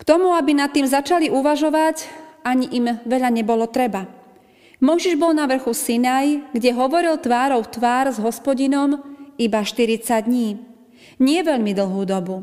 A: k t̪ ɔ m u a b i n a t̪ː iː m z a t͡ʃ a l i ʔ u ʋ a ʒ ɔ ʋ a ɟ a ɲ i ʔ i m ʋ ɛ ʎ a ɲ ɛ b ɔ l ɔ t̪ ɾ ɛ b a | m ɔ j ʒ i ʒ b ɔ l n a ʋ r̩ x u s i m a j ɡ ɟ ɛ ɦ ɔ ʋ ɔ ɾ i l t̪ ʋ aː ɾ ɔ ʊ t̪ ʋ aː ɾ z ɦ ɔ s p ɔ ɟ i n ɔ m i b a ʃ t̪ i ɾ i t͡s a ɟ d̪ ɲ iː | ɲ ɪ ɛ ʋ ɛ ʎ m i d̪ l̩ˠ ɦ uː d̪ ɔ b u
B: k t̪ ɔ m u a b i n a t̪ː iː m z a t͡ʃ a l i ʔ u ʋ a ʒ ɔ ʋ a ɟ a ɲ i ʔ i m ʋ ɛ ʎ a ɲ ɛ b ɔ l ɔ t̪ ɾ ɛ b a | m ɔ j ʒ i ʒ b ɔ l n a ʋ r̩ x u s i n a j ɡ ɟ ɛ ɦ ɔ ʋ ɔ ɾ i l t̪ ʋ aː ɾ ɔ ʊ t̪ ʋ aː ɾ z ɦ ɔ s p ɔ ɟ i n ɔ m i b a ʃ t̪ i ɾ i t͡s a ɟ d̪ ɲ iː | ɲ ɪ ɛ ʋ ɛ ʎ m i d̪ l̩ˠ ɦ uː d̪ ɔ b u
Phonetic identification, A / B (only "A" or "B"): B